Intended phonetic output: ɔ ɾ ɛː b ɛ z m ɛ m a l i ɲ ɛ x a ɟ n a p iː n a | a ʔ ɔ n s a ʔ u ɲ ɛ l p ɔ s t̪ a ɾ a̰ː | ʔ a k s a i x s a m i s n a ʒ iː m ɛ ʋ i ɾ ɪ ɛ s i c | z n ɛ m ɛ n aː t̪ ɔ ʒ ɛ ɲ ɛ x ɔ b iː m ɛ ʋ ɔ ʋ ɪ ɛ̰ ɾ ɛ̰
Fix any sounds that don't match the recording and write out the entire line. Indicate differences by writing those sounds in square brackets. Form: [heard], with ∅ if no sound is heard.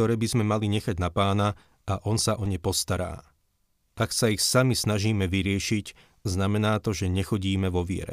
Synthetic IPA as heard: ɔ ɾ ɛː b [i] z m ɛ m a l i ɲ ɛ x a ɟ n a p [aː] n a | a ʔ ɔ n s a ʔ [ɔ] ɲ ɛ [∅] p ɔ s t̪ a ɾ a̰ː | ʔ a k s a i x s a m i s n a ʒ iː m ɛ ʋ i ɾ ɪ ɛ [ʃ] i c | z n [a] m ɛ n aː t̪ ɔ ʒ ɛ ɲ ɛ x ɔ [ɟ] iː m ɛ ʋ ɔ ʋ ɪ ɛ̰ ɾ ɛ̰